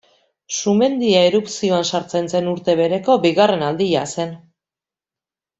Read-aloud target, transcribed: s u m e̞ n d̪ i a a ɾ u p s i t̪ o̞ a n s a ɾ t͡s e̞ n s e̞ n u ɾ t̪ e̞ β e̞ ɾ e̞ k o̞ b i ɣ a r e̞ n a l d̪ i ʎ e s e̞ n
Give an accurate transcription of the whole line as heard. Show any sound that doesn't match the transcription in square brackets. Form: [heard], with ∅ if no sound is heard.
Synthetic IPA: s u m e̞ n d̪ i a [e] ɾ u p s i [∅] o̞ a n s a ɾ t͡s e̞ n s e̞ n u ɾ t̪ e̞ β e̞ ɾ e̞ k o̞ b i ɣ a r e̞ n a l d̪ i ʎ [a] s e̞ n